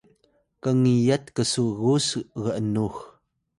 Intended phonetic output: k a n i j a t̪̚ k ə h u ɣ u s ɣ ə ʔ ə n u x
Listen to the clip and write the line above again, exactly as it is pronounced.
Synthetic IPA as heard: k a ŋ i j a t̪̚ k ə s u ɣ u s ɣ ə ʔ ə n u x